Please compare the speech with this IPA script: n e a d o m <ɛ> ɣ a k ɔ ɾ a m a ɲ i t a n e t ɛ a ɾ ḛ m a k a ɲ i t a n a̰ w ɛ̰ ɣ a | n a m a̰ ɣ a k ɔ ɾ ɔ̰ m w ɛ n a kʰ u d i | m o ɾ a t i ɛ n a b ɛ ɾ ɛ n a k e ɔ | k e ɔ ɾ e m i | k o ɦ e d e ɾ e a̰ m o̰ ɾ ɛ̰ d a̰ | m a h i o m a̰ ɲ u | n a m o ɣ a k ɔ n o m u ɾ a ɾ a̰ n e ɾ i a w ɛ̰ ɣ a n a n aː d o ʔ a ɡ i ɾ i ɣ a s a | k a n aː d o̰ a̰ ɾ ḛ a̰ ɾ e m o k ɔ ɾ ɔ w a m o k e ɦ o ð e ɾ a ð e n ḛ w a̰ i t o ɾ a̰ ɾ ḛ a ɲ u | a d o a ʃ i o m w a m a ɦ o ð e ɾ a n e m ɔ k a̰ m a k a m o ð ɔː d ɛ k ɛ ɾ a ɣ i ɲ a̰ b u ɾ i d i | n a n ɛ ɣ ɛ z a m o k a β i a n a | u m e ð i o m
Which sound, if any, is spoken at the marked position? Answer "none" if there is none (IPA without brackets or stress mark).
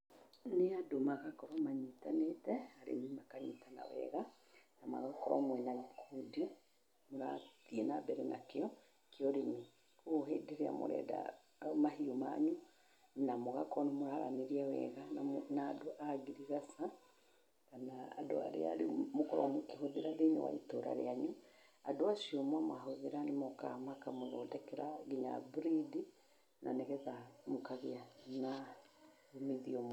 a